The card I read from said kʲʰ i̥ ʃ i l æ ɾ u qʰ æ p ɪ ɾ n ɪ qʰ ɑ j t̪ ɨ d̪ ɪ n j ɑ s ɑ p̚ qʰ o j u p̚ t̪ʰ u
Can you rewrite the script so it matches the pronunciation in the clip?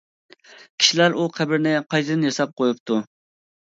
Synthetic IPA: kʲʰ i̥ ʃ i l æ ɾ u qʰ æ b ɪ ɾ n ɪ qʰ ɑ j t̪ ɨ d̪ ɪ n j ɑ s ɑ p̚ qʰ o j u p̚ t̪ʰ u